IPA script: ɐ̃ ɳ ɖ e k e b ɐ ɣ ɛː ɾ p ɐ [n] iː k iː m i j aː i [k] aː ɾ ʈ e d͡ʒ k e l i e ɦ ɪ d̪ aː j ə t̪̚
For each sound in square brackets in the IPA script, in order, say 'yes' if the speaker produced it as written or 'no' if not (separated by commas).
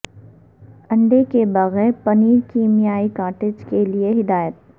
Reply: yes, yes